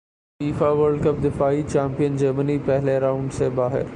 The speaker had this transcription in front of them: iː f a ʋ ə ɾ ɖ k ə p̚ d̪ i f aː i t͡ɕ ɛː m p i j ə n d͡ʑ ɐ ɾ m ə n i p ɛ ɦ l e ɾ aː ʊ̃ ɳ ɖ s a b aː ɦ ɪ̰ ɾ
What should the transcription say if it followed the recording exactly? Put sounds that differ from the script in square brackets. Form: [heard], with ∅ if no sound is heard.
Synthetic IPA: iː f a ʋ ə ɾ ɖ k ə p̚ d̪ [ɪ] f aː i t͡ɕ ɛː m p i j ə n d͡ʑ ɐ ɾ m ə n i p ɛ ɦ l e ɾ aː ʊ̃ ɳ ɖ s [e] b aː ɦ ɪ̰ ɾ